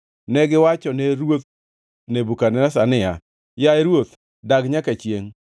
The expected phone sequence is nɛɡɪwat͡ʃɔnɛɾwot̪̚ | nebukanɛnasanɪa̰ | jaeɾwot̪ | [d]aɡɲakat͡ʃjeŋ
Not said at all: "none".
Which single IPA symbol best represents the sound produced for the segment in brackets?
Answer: d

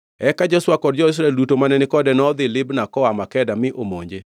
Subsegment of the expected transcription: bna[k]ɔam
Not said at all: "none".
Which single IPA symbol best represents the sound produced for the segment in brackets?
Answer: k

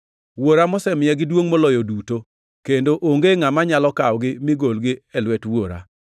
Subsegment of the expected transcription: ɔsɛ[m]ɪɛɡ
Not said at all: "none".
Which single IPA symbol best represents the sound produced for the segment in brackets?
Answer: m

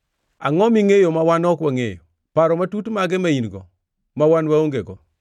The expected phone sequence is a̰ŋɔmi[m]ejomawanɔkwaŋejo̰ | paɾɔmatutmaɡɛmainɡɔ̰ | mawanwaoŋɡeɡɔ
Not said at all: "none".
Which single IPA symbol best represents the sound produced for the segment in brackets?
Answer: ŋ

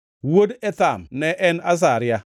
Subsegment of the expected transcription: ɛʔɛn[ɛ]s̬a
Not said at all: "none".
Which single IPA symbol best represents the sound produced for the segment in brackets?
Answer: a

